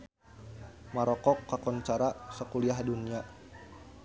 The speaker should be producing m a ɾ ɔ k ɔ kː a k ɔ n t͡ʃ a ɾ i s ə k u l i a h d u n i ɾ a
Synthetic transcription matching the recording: m a ɾ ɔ k ɔ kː a k ɔ n t͡ʃ a ɾ a s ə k u l i a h d u n i a